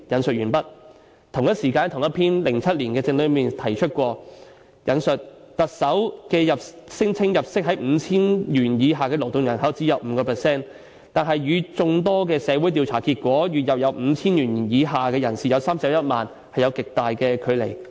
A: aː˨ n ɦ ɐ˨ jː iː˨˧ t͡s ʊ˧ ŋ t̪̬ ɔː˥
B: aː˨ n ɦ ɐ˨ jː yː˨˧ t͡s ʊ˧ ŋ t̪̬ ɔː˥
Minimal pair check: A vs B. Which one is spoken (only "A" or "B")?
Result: B